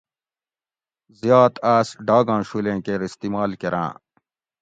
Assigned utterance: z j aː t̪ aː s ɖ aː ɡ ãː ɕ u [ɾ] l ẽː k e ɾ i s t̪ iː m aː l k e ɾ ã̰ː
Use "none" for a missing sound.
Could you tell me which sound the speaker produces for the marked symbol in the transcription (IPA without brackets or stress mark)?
none